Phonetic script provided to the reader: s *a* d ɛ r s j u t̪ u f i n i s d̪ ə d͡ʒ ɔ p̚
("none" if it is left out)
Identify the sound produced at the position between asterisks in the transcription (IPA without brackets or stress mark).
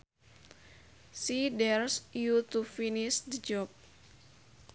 i